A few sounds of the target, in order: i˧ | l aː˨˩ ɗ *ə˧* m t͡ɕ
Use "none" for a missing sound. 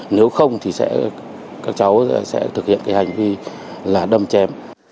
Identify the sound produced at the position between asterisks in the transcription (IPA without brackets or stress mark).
ə˧